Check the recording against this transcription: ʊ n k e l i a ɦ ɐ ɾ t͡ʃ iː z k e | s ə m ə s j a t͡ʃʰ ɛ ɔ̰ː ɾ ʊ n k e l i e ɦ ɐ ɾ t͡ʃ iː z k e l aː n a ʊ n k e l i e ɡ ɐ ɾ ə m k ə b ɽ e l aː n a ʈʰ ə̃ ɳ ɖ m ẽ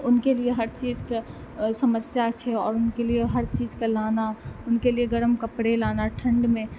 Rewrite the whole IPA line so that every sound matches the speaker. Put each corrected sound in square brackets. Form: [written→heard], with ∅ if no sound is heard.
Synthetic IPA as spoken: ʊ n k e l i [a→e] ɦ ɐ ɾ t͡ʃ iː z k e | s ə m ə s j a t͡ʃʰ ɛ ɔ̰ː ɾ ʊ n k e l i e ɦ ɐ ɾ t͡ʃ iː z k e l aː n a ʊ n k e l i e ɡ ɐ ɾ ə m k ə [b→p] ɽ e l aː n a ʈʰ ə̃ ɳ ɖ m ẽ